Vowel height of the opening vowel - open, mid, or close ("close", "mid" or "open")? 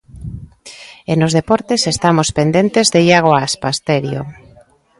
mid